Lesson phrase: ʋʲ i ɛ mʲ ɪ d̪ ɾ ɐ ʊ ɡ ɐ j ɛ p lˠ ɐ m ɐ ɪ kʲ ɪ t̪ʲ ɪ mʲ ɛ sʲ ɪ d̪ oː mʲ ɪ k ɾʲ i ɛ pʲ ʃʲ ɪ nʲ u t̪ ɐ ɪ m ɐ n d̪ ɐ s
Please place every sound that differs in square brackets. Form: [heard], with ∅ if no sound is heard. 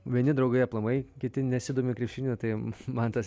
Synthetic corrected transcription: ʋʲ i ɛ [nʲ] ɪ d̪ ɾ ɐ ʊ ɡ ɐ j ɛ p lˠ ɐ m ɐ ɪ kʲ ɪ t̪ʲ ɪ [nʲ] ɛ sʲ ɪ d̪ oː mʲ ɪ k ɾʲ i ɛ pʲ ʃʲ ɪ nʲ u t̪ ɐ ɪ m ɐ n [t̪] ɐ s